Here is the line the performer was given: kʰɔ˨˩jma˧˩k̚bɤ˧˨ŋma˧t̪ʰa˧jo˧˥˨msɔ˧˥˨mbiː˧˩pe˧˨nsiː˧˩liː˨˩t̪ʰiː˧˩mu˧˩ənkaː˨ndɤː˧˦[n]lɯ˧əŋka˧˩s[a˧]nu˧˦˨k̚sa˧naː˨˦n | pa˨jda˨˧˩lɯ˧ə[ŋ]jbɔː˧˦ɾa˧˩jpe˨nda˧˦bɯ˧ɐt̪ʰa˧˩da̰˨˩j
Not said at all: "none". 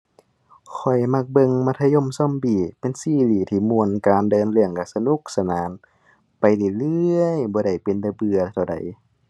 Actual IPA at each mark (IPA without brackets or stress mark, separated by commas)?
n, a˧, none